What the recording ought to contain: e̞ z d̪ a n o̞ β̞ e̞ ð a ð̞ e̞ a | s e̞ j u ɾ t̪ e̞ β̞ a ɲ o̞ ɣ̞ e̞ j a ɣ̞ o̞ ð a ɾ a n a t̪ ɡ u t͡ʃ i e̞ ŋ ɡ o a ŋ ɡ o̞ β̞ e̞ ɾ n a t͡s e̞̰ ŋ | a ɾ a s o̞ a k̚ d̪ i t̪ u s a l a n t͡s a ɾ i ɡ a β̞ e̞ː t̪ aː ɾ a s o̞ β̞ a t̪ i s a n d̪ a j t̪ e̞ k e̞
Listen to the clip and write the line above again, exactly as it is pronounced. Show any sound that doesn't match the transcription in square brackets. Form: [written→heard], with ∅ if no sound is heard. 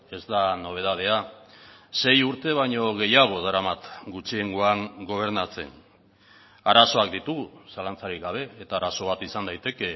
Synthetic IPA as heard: e̞ z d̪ a n o̞ β̞ e̞ ð a ð̞ e̞ a | s e̞ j u ɾ t̪ e̞ β̞ a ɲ o̞ ɣ̞ e̞ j a ɣ̞ o̞ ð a ɾ a [n→m] a t̪ ɡ u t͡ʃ i e̞ ŋ ɡ o a ŋ ɡ o̞ β̞ e̞ ɾ n a t͡s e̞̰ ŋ | a ɾ a s o̞ a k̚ d̪ i t̪ u s a l a n t͡s a ɾ i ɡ a β̞ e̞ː t̪ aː ɾ a s o̞ β̞ a t̪ i s a n d̪ a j t̪ e̞ k e̞